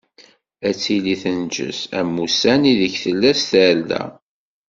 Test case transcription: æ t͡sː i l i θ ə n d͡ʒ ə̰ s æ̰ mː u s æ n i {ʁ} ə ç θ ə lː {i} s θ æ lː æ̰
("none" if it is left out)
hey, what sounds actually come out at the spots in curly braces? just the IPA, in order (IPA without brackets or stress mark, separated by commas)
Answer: ð, æ